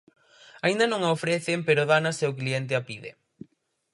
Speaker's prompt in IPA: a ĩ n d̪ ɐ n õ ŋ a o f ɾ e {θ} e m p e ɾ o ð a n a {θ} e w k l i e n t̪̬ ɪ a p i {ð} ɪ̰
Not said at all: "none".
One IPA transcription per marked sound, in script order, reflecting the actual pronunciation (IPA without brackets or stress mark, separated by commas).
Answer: θ, s, ð